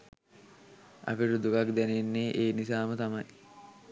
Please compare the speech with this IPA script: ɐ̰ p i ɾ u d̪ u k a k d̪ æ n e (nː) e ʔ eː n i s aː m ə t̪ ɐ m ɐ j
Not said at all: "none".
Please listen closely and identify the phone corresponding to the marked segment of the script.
nː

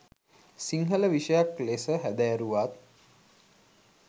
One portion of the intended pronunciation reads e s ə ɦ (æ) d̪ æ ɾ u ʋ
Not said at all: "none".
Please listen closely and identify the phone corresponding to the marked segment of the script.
æ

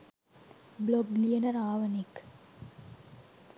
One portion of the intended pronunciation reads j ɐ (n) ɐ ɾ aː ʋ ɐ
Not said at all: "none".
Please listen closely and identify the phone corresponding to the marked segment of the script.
n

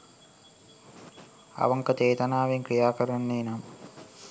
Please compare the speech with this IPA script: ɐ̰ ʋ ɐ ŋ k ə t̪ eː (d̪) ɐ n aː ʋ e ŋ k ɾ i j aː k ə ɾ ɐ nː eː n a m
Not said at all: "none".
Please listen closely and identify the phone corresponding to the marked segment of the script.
t̪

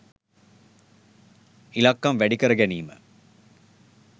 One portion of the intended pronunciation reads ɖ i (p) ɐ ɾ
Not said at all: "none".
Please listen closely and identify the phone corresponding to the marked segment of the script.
k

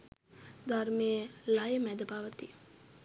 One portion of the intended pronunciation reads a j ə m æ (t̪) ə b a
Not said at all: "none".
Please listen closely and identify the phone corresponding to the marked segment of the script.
d̪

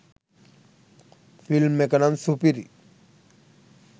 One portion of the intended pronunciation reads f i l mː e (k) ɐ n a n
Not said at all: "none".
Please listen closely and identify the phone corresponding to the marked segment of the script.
k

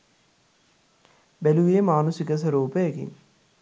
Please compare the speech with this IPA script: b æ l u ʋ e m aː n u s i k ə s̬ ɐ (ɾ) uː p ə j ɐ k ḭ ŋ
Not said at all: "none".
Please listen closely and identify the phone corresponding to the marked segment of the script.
ɾ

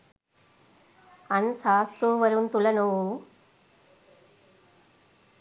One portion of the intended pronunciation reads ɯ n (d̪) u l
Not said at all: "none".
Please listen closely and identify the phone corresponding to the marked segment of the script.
t̪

